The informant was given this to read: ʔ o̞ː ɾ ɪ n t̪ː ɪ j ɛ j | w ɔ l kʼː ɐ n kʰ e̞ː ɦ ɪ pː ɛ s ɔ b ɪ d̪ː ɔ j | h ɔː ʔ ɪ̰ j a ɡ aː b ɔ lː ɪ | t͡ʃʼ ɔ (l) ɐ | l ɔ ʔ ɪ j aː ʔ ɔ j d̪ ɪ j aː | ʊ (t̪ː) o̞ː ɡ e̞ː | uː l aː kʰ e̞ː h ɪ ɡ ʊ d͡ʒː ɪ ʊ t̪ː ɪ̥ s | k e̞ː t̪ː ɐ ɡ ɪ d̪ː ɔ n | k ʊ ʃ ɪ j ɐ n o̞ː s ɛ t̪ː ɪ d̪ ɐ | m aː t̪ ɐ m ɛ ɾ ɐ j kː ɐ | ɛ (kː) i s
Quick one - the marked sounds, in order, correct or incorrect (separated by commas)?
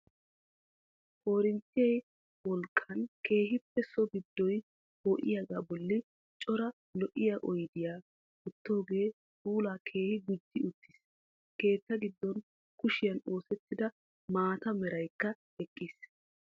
incorrect, correct, incorrect